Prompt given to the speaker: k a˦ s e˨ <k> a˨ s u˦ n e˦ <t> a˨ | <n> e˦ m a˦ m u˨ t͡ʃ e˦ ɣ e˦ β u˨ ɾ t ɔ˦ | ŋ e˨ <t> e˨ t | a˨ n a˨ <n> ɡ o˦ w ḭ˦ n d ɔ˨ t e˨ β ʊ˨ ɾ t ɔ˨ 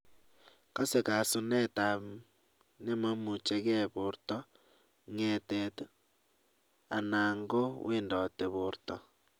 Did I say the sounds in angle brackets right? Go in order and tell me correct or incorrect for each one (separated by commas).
correct, correct, correct, correct, incorrect